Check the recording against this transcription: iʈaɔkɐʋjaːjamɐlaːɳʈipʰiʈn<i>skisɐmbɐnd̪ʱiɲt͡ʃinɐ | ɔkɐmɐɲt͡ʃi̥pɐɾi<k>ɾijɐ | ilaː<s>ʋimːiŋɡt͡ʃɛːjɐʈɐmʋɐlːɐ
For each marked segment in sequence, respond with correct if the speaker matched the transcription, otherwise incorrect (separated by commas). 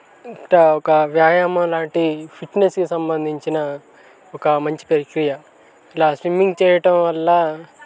incorrect, correct, correct